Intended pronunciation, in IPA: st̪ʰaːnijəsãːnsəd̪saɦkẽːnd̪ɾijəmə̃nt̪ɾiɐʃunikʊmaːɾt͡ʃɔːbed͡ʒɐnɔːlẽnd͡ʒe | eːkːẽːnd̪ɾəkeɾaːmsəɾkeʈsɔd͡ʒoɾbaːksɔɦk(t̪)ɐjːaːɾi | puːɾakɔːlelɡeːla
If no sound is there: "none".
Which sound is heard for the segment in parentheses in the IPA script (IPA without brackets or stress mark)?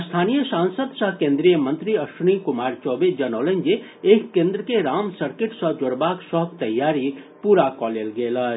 t̪